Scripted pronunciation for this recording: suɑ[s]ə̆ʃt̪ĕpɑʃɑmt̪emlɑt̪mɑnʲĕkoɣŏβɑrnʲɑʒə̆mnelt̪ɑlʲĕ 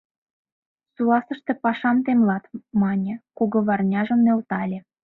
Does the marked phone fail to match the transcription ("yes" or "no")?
no